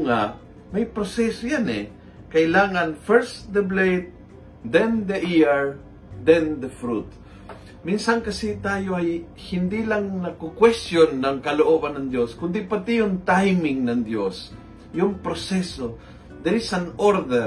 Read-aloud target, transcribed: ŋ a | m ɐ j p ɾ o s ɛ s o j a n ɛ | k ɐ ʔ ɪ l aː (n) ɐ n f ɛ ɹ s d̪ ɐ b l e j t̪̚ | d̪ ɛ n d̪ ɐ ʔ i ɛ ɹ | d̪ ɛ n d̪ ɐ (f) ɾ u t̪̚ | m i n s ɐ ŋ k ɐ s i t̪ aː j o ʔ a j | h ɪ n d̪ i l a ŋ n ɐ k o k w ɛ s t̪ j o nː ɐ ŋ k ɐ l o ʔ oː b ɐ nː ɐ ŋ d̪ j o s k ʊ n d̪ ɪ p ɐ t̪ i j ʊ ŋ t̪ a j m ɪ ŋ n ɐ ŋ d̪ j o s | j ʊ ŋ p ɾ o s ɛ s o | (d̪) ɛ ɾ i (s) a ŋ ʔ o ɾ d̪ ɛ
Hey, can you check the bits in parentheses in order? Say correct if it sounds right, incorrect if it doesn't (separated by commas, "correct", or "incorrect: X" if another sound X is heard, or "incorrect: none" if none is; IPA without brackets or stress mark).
incorrect: ŋ, correct, correct, correct